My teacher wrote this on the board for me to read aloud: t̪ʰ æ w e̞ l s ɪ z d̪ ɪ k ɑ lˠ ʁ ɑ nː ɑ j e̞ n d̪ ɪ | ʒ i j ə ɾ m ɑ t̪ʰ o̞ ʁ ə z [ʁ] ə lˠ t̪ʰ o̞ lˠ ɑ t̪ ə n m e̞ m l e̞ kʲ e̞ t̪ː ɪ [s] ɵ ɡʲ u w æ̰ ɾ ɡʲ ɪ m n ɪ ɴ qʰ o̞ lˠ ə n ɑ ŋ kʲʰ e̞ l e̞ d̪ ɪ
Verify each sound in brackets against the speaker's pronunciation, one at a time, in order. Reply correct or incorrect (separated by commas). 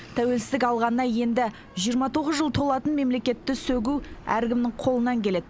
incorrect, correct